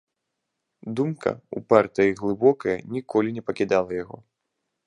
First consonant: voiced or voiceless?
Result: voiced